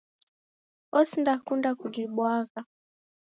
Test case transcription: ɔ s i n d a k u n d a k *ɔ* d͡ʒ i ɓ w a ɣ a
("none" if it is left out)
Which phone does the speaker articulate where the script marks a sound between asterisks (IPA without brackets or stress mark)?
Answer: u